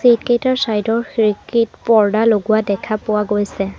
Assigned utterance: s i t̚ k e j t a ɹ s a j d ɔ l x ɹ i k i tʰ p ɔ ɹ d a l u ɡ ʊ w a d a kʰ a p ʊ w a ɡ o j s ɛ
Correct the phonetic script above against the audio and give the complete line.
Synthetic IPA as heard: s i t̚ k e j t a ɹ s a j d ɔ ɹ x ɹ i k i t p ɔ ɹ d a l o ɡ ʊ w a d ɛ kʰ a p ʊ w a ɡ o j s ɛ